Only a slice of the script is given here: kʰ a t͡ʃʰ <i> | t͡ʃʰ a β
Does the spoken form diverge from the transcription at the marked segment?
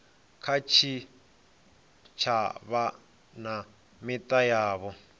no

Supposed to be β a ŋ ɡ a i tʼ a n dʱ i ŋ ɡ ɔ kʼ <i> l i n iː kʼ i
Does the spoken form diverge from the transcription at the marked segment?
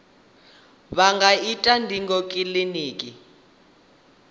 no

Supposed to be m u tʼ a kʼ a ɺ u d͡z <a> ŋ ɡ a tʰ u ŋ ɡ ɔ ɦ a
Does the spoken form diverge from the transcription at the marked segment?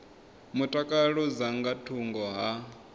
no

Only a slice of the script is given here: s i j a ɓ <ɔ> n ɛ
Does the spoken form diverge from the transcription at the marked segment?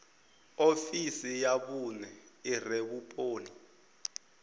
yes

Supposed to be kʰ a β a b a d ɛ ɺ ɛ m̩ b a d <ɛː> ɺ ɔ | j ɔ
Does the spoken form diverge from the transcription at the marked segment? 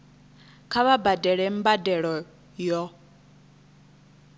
yes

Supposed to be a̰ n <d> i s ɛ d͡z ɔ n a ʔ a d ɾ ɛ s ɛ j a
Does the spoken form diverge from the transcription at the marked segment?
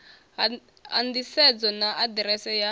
no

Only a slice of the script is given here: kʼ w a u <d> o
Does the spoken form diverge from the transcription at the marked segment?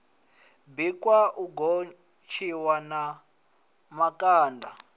yes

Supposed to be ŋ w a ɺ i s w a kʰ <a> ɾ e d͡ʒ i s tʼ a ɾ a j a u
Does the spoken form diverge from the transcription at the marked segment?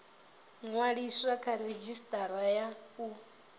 no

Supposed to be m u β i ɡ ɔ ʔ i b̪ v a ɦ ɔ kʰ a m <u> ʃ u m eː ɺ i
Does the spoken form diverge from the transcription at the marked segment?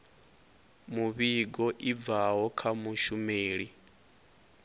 no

